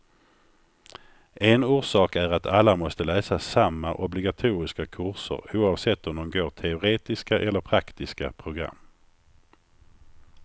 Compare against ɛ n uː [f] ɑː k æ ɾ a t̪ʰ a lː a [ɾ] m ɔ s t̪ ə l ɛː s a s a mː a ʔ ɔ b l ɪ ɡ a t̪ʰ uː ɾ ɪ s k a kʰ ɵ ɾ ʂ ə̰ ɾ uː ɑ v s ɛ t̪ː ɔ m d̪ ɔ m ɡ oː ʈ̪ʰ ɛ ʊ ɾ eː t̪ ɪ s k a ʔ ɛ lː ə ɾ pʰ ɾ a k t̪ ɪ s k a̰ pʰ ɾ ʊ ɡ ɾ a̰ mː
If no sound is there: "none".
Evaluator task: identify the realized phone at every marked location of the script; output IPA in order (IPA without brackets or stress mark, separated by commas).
ʂ, none